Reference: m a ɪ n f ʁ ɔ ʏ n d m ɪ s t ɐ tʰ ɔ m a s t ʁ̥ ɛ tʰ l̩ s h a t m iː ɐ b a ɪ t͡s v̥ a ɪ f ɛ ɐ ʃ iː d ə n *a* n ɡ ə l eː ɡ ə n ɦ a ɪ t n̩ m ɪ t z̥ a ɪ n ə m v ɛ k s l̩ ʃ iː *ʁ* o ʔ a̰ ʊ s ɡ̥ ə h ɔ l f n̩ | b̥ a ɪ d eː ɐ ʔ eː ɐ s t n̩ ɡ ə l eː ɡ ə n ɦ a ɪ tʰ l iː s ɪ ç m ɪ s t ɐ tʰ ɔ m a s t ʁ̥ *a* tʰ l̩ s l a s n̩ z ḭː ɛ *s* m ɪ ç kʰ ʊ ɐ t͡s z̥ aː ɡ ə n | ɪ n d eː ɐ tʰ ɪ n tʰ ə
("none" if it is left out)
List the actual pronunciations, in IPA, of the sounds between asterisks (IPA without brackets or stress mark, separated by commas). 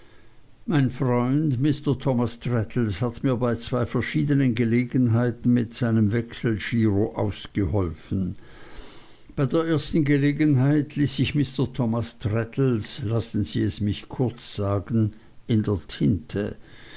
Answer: ə, ʁ, ɛ, s